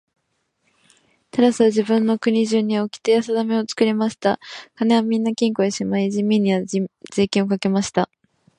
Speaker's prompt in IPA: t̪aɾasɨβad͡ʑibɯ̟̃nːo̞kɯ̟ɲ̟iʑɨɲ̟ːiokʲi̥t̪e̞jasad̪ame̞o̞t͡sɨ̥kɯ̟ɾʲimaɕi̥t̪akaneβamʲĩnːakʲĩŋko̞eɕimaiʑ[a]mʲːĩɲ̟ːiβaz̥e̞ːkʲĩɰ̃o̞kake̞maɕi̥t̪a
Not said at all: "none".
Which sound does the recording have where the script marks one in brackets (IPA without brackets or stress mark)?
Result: i